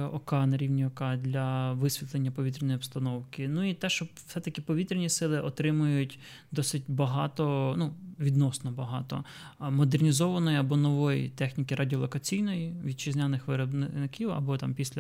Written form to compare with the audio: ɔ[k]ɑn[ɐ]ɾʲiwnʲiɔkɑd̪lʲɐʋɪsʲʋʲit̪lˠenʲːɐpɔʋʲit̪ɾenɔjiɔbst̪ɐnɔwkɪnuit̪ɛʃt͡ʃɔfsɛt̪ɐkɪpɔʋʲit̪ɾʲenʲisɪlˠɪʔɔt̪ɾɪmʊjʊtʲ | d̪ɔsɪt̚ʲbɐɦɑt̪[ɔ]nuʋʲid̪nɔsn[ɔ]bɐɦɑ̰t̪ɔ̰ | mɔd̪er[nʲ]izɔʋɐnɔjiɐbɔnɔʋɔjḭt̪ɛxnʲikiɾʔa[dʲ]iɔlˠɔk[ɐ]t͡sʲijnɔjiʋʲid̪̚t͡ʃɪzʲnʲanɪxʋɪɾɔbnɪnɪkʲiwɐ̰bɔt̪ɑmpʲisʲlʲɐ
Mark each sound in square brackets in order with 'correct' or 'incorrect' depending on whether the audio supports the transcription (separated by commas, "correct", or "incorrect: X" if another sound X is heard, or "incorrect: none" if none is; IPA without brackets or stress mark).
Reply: correct, correct, correct, correct, correct, correct, correct